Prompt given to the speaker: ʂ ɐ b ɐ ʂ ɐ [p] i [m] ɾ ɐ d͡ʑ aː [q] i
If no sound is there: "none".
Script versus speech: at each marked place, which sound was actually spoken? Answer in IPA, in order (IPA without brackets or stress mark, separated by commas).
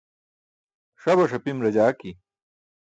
p, m, k